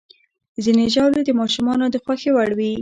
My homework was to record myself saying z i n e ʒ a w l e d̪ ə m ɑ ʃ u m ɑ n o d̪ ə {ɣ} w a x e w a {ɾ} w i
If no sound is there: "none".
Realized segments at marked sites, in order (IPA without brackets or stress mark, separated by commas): x, ɽ